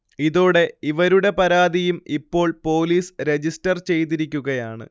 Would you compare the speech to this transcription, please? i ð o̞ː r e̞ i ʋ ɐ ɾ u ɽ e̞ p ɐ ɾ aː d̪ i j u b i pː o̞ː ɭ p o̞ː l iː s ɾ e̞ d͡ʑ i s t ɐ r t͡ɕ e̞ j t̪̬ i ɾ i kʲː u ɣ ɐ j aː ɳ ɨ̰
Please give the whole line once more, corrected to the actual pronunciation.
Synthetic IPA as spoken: i ð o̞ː ɽ e̞ i ʋ ɐ ɾ u ɽ e̞ p ɐ ɾ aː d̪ i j u m i pː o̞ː ɭ p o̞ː l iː s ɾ e̞ d͡ʑ i s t ɐ r t͡ɕ e̞ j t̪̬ i ɾ i kʲː u ɣ ɐ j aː ɳ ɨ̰